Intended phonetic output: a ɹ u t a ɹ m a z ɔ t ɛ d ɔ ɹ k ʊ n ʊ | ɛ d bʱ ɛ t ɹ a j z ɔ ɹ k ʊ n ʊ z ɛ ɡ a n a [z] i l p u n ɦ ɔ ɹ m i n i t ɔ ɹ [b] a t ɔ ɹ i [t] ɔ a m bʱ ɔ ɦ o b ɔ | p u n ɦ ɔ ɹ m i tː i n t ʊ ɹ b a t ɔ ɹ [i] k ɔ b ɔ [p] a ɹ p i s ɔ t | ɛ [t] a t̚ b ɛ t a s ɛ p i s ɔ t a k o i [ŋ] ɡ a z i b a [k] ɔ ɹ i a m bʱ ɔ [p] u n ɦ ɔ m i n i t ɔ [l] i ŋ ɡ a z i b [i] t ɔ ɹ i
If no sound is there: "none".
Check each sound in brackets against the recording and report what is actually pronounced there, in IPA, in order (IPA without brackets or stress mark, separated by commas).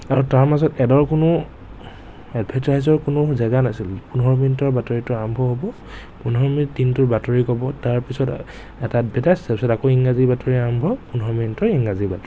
s, b, t, i, t, t, ŋ, t, p, ɹ, a